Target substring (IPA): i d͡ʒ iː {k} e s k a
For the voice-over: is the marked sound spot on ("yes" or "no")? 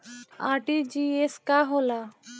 no